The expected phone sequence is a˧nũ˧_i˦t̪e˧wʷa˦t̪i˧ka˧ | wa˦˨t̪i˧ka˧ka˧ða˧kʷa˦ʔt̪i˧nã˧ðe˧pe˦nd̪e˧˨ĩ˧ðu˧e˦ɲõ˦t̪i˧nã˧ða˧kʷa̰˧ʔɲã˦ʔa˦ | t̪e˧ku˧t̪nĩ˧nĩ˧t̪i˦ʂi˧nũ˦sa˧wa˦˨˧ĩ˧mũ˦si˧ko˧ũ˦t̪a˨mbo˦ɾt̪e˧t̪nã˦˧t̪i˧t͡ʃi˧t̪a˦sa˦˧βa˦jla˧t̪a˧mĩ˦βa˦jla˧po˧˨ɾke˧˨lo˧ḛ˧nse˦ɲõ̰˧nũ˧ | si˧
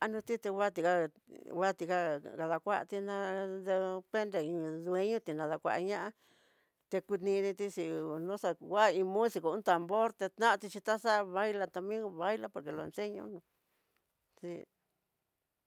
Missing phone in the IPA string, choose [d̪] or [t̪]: t̪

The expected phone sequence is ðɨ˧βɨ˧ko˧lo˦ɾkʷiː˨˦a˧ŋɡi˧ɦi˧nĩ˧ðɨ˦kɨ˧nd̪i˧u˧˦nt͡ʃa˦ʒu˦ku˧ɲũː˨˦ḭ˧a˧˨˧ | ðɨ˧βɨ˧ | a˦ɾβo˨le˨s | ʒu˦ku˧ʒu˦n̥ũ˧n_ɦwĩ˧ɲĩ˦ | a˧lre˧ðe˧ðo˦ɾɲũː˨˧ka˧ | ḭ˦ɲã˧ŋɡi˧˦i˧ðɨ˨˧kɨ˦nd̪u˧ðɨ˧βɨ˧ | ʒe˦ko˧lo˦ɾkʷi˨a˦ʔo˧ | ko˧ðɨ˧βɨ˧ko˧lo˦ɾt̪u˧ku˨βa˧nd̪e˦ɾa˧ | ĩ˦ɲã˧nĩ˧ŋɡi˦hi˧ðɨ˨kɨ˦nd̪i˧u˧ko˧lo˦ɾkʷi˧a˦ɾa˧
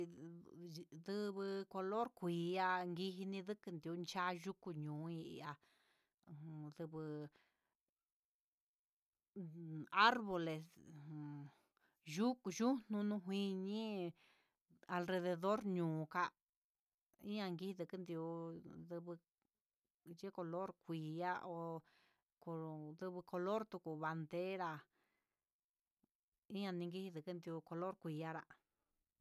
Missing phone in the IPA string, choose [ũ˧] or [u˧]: ũ˧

